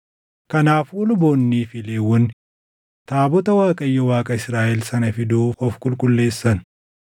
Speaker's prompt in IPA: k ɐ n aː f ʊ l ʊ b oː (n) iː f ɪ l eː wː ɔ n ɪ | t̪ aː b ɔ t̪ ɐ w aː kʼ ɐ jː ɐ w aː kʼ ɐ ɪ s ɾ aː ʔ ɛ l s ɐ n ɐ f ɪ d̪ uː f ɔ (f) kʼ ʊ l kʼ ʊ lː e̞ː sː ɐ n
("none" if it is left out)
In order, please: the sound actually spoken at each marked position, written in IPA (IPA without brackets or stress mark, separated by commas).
nː, f